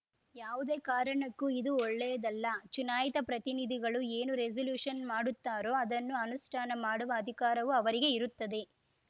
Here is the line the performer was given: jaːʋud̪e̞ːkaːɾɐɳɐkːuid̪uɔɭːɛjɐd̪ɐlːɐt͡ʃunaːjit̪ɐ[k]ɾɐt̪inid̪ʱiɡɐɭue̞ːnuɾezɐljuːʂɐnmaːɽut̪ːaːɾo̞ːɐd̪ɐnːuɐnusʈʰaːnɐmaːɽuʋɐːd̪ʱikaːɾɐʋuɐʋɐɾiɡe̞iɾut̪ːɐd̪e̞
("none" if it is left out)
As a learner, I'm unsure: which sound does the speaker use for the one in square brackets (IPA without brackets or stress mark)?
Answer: p